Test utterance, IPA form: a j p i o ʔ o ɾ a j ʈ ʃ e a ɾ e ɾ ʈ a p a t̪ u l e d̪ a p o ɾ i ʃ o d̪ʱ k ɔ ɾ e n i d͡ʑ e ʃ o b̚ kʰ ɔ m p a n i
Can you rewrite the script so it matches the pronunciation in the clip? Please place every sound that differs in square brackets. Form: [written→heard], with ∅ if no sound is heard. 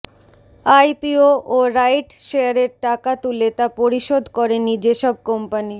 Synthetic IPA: a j p i o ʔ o ɾ a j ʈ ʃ e a ɾ e ɾ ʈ a [p→k] a t̪ u l e [d̪→t̪] a p o ɾ i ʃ o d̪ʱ k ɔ ɾ e n i d͡ʑ e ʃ [o→ɔ] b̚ [kʰ→k] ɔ m p a n i